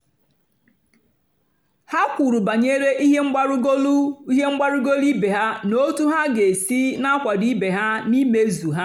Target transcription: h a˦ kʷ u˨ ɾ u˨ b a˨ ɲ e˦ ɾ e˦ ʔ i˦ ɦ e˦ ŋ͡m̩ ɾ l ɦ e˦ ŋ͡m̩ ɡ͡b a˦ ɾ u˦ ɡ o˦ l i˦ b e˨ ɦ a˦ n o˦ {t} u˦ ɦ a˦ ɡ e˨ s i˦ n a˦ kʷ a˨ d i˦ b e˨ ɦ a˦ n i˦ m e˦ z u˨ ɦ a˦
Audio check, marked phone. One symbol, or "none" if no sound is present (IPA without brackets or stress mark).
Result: t